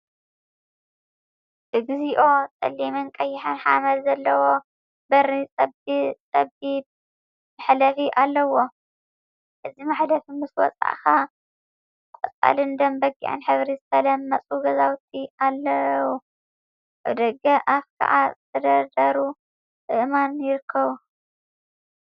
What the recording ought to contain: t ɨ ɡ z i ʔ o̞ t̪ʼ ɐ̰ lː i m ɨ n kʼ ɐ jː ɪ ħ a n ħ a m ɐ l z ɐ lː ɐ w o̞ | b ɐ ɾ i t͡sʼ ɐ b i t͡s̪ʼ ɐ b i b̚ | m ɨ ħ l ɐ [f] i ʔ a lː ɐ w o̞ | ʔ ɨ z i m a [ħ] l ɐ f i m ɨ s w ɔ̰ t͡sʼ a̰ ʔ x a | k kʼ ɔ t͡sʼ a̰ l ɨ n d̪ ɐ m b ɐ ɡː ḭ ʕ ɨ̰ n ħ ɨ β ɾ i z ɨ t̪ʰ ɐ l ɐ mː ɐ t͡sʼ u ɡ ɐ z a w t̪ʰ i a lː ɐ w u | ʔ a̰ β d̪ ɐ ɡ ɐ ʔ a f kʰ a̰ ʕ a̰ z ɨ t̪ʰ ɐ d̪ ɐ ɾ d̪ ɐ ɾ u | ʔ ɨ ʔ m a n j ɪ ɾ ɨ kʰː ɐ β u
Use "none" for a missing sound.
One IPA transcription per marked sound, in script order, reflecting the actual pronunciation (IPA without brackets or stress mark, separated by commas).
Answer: f, ħ